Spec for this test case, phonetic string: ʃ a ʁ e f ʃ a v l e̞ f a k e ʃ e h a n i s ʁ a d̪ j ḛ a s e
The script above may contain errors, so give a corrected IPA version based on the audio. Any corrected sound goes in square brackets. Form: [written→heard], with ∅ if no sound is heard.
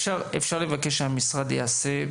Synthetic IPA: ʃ a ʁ e f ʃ a [v→ʁ] l e̞ [f→v] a k e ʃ e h a [n→m] i s ʁ a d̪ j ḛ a s e

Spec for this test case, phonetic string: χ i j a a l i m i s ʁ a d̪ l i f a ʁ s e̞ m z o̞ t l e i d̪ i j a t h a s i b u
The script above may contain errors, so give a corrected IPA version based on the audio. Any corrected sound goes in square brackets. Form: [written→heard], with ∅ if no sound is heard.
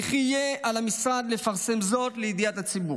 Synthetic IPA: χ i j [a→e] a l [i→a] m i s ʁ a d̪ l [i→e] f a ʁ s e̞ m z o̞ t l e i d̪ i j a t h a [s→t͡s] i b u

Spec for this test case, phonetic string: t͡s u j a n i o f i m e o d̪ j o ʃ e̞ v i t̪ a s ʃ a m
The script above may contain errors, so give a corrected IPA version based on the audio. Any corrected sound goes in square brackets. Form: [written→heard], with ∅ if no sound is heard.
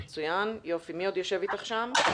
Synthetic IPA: t͡s u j a n [i→j] o f i m [e→i] o d̪ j o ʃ e̞ v i t̪ a [s→χ] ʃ a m

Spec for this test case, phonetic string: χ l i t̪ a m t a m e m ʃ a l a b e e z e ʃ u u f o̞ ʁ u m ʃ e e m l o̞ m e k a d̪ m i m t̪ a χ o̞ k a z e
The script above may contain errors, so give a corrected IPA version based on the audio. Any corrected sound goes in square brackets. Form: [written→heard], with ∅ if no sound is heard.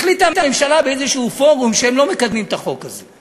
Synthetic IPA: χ l i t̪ a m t a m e m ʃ a l a b e e z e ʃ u u f o̞ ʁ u m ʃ e e m l o̞ m e k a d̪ m i m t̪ a χ o̞ k a z e

